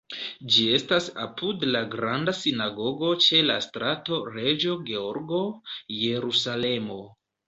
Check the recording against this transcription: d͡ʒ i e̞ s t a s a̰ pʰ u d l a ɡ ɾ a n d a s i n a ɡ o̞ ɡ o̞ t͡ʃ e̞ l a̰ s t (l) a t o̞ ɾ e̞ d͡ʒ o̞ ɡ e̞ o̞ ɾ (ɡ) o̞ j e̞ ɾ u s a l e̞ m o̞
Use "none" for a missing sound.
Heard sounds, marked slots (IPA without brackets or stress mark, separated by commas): ɾ, ɡ